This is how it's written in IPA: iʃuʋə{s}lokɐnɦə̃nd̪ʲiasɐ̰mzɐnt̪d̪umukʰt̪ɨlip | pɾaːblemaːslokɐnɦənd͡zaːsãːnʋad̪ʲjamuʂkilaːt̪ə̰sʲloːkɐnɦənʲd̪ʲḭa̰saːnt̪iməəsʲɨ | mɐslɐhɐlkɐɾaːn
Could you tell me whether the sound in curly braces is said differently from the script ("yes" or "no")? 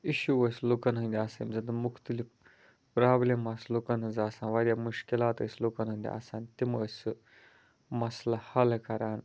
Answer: no